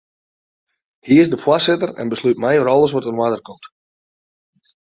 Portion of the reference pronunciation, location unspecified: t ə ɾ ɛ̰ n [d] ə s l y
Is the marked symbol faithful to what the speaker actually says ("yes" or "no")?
no